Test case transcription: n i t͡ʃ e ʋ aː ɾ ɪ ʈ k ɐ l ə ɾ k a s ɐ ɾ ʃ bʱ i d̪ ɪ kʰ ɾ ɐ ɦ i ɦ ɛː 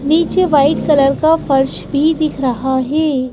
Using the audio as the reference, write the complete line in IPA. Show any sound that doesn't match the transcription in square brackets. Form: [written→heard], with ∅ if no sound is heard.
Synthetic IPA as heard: n [i→iː] t͡ʃ e ʋ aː [ɾ→∅] ɪ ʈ k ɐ l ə ɾ k a [s→f] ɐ ɾ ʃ bʱ i d̪ ɪ kʰ ɾ ɐ ɦ [i→a] ɦ ɛː